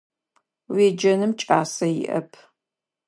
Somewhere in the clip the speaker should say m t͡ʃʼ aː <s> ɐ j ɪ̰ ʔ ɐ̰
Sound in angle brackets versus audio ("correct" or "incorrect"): correct